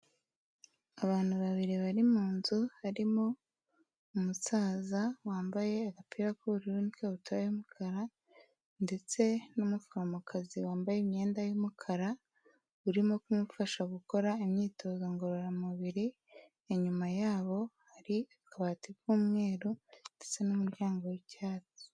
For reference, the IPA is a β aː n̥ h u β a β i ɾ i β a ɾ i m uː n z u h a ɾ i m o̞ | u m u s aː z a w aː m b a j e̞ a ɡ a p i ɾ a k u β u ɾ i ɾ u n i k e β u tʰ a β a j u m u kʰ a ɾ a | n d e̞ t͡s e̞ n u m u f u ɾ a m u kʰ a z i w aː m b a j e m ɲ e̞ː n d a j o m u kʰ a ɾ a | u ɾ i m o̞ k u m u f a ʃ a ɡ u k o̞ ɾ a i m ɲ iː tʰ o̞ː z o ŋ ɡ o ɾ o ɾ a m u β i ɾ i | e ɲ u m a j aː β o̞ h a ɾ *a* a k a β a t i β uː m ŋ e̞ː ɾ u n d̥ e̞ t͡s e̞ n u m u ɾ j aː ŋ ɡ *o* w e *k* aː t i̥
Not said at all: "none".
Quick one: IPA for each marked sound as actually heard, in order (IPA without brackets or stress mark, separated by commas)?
i, o, c